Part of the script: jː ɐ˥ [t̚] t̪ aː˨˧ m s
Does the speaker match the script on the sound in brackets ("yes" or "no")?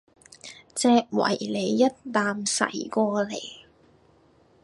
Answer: yes